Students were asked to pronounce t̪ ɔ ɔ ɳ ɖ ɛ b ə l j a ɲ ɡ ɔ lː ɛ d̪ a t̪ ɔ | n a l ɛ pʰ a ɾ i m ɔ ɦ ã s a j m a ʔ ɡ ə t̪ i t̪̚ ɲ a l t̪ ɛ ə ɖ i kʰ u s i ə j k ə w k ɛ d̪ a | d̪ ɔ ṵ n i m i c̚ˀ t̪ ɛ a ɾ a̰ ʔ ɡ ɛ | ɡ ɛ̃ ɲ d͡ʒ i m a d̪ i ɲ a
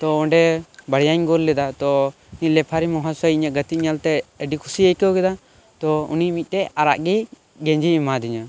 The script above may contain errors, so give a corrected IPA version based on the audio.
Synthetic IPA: t̪ ɔ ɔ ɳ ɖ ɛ b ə ɽ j a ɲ ɡ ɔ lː ɛ d̪ a t̪ ɔ | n i l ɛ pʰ a ɾ i m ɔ ɦ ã s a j ɲ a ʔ ɡ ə t̪ i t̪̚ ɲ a l t̪ ɛ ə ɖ i kʰ u s i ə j k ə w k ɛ d̪ a | t̪ ɔ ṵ n i m i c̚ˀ t̪ ɛ a ɾ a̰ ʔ ɡ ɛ | ɡ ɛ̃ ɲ d͡ʒ i m a d̪ i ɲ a